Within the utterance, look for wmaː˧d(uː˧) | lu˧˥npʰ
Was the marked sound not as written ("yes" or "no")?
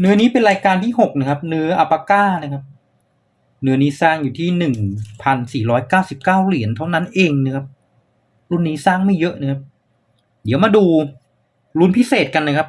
no